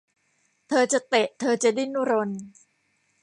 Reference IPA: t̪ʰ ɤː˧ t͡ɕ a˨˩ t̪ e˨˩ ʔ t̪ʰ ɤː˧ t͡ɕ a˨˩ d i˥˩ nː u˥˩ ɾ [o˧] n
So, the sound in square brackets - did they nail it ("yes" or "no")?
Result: yes